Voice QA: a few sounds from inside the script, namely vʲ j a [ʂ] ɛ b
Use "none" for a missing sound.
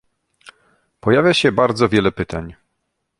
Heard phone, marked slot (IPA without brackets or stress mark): ɕ